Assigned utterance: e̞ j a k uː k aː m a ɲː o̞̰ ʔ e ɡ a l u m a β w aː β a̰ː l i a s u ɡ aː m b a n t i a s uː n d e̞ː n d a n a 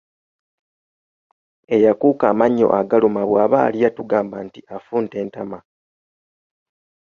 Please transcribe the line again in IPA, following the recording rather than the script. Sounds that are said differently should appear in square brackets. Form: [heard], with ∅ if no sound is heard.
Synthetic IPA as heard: e̞ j a k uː k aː m a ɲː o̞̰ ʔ [a] ɡ a l u m a β w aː β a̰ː l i a [t] u ɡ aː m b a n t i a [f] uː n [t] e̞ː n [t] a [m] a